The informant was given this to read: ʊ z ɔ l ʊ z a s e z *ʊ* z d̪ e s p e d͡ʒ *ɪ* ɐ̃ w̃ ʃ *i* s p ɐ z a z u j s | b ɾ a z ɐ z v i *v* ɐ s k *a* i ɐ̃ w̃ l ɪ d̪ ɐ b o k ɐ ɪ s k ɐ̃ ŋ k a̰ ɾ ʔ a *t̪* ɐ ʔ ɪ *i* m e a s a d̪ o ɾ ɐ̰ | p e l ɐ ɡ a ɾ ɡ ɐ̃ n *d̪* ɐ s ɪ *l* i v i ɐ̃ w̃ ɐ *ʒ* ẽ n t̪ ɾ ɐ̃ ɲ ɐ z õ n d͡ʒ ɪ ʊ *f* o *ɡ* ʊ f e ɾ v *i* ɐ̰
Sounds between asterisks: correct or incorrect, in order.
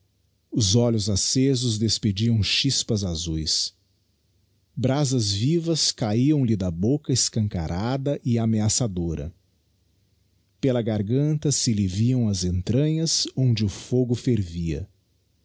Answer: correct, incorrect, correct, correct, correct, incorrect, incorrect, incorrect, correct, incorrect, correct, correct, correct

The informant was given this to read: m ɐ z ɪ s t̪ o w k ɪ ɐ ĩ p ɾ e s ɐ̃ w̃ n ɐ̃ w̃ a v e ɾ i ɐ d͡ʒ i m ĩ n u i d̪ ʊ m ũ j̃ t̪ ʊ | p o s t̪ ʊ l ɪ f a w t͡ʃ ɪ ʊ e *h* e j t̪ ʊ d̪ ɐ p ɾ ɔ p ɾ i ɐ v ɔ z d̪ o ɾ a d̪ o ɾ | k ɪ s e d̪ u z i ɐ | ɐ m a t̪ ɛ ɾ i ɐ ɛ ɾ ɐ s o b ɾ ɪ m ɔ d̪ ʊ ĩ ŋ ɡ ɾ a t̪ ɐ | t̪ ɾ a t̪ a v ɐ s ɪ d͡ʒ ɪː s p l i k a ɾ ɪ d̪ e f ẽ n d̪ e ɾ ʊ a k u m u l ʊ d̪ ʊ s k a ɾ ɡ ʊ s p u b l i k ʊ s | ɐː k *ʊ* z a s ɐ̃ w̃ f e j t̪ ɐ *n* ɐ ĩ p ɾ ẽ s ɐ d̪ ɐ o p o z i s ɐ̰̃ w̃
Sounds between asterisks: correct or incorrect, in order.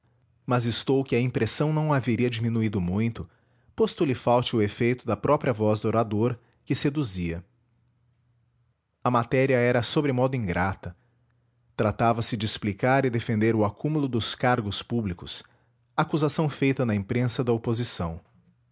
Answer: incorrect, incorrect, correct

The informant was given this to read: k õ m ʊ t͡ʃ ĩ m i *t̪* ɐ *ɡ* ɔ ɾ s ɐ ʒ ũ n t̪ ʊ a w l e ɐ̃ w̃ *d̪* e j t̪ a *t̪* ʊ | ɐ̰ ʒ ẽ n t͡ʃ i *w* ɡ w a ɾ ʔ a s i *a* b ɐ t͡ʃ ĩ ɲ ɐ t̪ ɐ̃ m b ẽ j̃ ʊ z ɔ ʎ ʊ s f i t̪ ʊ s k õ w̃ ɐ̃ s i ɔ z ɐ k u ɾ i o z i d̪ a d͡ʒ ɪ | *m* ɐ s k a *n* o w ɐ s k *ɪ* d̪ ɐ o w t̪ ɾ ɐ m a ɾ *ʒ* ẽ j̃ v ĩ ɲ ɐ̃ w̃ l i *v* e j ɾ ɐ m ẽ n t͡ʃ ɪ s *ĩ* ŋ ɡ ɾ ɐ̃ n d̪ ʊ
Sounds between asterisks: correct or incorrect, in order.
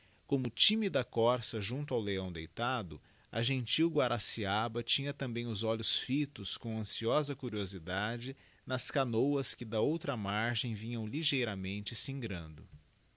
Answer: incorrect, incorrect, correct, incorrect, correct, correct, incorrect, correct, correct, correct, incorrect, correct

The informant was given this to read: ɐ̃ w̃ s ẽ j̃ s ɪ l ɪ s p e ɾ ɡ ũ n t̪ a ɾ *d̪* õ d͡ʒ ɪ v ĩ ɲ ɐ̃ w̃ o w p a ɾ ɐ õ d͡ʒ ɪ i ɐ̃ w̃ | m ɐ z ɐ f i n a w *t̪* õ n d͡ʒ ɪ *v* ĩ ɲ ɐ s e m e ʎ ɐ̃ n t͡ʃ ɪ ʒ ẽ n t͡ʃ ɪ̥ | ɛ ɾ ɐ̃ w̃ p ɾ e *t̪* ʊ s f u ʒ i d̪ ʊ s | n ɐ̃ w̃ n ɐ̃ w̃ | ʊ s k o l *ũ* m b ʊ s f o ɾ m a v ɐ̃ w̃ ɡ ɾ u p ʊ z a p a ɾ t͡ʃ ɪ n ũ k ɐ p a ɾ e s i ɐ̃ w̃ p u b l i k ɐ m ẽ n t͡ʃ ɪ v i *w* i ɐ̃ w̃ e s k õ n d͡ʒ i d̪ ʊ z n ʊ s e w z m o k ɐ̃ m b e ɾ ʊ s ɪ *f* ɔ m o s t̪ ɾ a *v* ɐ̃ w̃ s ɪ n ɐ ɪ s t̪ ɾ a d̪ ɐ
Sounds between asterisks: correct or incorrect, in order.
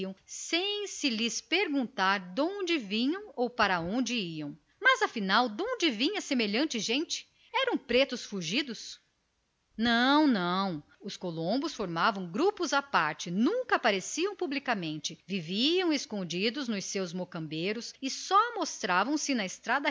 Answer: correct, incorrect, correct, correct, incorrect, incorrect, incorrect, correct

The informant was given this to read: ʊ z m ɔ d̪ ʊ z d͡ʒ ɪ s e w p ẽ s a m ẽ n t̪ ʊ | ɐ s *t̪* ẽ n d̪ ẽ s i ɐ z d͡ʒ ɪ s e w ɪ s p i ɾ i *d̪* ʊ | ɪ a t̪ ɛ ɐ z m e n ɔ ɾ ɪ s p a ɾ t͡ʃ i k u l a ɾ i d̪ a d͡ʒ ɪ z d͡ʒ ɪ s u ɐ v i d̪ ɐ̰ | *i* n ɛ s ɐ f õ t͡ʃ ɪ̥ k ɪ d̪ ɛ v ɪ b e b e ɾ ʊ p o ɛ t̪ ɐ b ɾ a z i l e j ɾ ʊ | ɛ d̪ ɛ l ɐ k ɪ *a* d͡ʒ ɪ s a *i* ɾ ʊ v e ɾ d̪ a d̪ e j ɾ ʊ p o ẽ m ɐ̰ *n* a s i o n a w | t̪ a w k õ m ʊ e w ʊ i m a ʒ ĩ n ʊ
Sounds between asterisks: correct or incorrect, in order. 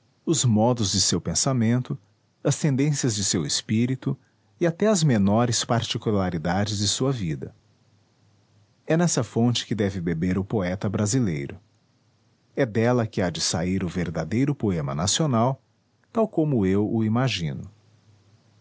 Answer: correct, incorrect, incorrect, correct, correct, correct

